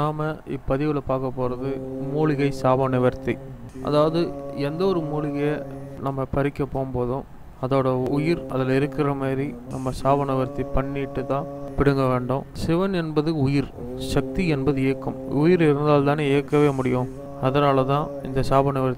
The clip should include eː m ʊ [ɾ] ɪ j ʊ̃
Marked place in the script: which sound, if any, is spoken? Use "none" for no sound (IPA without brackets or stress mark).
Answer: ɽ